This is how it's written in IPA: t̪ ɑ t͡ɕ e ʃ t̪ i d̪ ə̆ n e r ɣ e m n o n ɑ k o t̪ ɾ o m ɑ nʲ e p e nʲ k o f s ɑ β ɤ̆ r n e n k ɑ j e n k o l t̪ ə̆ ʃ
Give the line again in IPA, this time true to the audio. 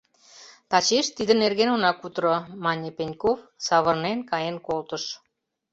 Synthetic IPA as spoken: t̪ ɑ t͡ɕ e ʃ t̪ i d̪ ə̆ n e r ɣ e n o n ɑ k u t̪ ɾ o m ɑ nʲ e p e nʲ k o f s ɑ β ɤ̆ r n e n k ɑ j e n k o l t̪ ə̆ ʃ